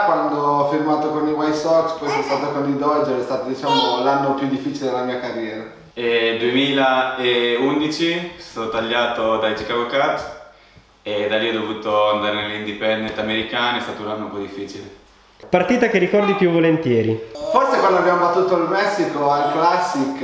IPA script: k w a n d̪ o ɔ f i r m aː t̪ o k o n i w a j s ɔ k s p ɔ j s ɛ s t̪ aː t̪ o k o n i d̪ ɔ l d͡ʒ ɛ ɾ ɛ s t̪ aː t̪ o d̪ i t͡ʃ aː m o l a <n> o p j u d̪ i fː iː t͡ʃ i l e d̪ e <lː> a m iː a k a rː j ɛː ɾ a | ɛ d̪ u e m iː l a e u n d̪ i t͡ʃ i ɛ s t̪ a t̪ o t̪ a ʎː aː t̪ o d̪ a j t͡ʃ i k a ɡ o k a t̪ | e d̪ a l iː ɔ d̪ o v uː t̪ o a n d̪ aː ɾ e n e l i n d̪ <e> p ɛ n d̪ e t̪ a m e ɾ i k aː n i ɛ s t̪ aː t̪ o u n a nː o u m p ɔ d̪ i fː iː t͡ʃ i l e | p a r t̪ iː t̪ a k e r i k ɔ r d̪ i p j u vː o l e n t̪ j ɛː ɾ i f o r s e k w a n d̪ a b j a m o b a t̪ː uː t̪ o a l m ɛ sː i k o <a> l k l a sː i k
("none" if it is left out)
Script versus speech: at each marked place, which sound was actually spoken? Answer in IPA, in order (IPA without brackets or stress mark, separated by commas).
nː, l, i, a